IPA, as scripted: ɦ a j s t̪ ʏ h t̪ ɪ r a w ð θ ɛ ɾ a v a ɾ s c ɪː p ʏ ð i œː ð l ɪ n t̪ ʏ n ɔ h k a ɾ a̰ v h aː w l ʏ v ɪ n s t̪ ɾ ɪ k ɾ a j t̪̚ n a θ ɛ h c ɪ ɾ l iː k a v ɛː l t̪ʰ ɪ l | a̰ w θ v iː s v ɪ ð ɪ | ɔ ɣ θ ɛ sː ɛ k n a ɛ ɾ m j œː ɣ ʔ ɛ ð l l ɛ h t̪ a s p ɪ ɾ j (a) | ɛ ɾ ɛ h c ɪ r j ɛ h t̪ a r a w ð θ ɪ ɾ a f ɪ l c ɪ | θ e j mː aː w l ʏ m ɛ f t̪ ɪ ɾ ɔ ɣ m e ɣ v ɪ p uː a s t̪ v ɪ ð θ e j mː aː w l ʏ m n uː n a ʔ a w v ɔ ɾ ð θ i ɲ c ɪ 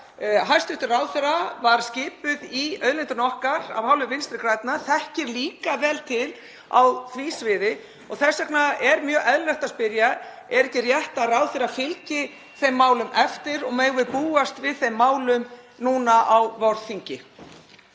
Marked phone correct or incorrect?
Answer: correct